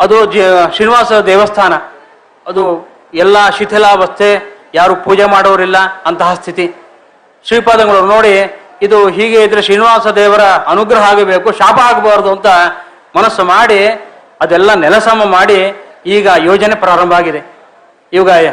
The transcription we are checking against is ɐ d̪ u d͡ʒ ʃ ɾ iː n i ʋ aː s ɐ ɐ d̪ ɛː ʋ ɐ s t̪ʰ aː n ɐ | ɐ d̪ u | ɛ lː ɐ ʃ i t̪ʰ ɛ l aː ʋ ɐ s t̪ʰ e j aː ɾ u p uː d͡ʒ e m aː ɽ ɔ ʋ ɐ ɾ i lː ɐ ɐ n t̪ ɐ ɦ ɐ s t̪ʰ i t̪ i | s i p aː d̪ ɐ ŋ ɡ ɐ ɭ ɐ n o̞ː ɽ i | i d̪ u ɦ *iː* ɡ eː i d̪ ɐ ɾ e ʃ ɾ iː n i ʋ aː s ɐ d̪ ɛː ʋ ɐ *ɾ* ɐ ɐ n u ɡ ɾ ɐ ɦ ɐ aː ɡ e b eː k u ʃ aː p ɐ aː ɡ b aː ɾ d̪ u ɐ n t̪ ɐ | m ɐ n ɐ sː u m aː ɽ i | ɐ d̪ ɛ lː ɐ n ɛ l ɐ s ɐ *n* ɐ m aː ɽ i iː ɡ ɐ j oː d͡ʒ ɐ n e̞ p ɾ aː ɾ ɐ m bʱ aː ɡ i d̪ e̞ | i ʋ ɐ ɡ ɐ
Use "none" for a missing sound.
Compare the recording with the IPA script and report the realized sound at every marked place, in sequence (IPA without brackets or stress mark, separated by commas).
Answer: iː, ɾ, m